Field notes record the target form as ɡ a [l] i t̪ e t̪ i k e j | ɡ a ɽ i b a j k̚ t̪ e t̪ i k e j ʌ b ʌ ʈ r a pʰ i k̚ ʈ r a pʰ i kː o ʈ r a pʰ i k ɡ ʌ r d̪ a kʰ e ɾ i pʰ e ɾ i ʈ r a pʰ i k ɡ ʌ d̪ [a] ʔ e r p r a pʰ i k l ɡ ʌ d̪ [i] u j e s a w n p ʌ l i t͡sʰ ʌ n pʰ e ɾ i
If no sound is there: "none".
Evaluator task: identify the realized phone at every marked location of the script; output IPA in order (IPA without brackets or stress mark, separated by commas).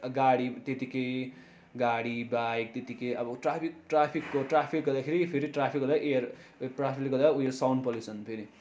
ɽ, a, a